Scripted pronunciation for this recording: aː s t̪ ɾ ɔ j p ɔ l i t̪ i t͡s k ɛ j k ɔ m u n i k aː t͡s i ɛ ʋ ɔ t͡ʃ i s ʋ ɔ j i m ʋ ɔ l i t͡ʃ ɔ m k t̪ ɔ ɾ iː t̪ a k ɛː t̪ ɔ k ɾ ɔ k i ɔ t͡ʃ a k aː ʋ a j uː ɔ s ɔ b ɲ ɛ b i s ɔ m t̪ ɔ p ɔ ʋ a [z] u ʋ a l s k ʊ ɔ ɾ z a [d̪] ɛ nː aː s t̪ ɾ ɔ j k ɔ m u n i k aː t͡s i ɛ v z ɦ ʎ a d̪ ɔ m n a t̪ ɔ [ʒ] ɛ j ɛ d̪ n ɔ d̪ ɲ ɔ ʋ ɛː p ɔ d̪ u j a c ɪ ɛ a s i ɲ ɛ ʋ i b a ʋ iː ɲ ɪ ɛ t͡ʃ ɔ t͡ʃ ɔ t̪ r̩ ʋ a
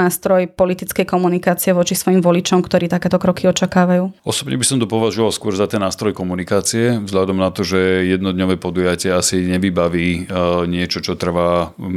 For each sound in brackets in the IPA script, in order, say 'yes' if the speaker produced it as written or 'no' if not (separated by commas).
no, no, yes